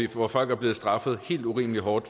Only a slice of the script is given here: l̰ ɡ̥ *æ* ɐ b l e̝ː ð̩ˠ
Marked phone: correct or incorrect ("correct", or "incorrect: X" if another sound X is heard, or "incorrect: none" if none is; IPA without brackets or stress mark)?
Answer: correct